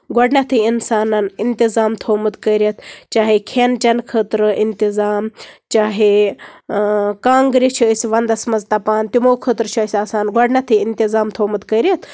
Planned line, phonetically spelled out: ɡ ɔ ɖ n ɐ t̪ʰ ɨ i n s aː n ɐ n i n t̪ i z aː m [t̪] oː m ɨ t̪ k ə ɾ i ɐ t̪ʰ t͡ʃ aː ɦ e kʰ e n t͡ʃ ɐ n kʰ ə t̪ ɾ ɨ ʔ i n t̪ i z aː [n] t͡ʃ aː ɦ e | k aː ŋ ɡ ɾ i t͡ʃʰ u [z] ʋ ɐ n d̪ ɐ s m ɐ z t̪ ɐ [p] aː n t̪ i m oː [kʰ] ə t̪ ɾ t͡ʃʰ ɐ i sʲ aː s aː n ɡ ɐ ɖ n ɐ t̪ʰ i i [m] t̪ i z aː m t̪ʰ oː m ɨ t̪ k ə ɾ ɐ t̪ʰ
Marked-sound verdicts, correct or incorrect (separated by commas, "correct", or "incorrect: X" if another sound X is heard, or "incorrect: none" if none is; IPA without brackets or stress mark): incorrect: t̪ʰ, incorrect: m, incorrect: s, correct, correct, incorrect: n